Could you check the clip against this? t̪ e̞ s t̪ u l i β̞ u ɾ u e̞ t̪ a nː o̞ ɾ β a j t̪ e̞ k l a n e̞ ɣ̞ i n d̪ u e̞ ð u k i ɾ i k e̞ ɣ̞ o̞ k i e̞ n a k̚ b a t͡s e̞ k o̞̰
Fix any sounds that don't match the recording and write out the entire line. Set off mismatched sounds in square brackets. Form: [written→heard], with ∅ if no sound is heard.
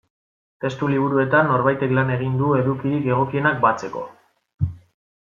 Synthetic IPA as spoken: t̪ e̞ s t̪ u l i β̞ u ɾ u e̞ t̪ a nː o̞ ɾ β a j t̪ e̞ k l a n e̞ ɣ̞ i n d̪ u e̞ ð u k i ɾ i k e̞ ɣ̞ o̞ k i e̞ n a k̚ b a t͡s e̞ k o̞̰